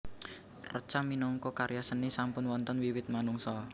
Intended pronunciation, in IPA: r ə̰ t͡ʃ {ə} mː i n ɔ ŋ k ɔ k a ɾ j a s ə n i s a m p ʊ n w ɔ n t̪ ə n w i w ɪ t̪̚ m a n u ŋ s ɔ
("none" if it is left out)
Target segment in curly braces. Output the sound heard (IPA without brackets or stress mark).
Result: a